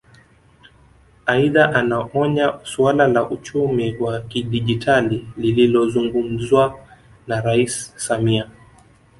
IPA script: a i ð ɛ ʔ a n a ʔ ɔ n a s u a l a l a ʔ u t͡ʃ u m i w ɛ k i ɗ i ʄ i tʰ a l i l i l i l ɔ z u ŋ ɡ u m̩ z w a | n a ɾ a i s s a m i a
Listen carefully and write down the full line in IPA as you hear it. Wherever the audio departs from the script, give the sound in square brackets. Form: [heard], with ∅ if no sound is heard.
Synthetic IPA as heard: a i ð [a] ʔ a n a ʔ ɔ [ɲ] a s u a l a l a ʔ u t͡ʃ u m i w [a] k i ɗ i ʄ i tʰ a l i l i l i l ɔ z u ŋ ɡ u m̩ z w a | n a ɾ a i s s a m i a